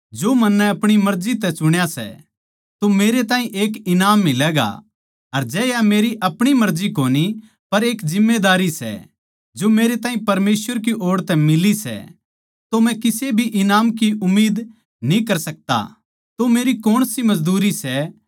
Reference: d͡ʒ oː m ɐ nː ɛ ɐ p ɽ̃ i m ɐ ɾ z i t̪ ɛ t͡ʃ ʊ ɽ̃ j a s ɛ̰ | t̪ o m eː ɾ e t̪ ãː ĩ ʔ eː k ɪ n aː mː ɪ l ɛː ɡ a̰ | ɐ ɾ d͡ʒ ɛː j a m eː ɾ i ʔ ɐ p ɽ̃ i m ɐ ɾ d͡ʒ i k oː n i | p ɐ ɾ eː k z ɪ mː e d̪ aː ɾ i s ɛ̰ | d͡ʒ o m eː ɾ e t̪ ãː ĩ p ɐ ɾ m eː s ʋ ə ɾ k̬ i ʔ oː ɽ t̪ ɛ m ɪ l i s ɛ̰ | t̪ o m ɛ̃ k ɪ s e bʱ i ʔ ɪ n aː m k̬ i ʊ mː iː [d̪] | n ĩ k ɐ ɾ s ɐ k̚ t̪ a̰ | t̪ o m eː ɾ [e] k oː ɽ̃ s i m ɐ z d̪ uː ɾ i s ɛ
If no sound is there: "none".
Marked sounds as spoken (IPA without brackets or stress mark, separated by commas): d̪, i